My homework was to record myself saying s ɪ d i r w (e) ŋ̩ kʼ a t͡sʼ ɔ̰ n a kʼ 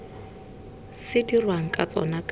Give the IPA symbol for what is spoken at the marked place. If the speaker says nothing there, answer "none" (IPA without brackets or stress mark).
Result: a